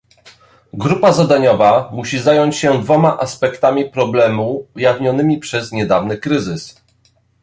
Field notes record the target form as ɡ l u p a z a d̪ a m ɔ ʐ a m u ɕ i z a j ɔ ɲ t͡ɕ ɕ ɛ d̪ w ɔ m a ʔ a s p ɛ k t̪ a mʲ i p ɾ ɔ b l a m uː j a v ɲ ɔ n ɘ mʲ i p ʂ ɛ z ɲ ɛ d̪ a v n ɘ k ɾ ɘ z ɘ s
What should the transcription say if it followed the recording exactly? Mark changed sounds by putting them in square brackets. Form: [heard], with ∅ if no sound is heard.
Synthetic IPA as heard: ɡ [ɾ] u p a z a d̪ a [ɲ] ɔ [v] a m u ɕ i z a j ɔ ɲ t͡ɕ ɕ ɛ d̪ [v] ɔ m a ʔ a s p ɛ k t̪ a mʲ i p ɾ ɔ b l [ɛ] m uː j a v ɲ ɔ n ɘ mʲ i p ʂ ɛ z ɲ ɛ d̪ a v n ɘ k ɾ ɘ z ɘ s